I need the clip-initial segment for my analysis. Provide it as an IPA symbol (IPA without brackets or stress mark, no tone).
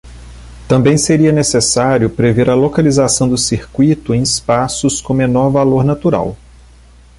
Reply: t̪